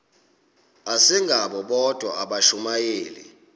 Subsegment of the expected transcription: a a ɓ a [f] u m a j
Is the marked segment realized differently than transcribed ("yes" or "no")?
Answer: yes